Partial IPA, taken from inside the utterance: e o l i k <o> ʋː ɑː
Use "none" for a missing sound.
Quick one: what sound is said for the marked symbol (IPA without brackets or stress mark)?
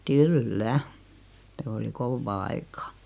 o